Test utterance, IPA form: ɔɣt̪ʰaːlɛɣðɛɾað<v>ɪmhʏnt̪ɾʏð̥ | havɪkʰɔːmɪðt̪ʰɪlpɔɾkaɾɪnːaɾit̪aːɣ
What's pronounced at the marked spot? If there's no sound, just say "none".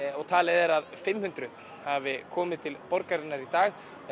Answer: f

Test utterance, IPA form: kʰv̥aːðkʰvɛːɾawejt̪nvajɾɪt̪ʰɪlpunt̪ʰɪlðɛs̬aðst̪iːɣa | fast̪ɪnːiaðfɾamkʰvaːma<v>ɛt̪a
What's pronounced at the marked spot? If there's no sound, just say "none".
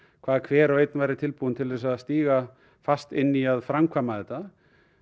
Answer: ð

